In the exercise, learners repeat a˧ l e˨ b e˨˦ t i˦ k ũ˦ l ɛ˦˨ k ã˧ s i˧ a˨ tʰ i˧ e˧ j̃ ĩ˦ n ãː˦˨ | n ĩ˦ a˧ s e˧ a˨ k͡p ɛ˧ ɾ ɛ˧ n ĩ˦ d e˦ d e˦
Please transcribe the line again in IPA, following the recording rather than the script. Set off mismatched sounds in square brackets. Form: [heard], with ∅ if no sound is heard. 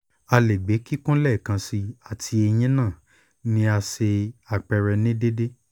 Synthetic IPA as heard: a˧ l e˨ [ɡ͡b] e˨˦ [k] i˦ k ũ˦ l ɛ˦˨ k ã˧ s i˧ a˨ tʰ i˧ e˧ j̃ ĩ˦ n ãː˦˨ | n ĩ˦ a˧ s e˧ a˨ k͡p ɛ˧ ɾ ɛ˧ n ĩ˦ d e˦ d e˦